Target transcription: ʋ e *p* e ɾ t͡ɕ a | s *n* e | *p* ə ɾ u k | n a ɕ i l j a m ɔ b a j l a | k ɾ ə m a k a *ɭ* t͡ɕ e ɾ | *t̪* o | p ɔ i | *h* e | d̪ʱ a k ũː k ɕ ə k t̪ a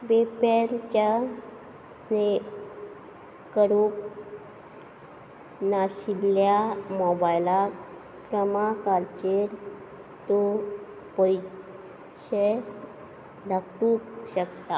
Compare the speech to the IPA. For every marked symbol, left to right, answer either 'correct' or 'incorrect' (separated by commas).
correct, correct, incorrect, incorrect, correct, incorrect